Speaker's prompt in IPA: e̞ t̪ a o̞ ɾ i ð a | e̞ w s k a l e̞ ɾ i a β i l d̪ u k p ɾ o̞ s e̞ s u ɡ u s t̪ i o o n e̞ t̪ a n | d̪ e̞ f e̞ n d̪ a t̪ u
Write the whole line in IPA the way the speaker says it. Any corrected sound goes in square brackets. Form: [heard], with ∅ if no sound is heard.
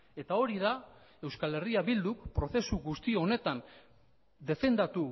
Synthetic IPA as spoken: e̞ t̪ a o̞ ɾ i ð a | e̞ w s k a l e̞ [r] i a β i l d̪ u k p ɾ o̞ [θ] e̞ s u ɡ u s t̪ i o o n e̞ t̪ a n | d̪ e̞ f e̞ n d̪ a t̪ u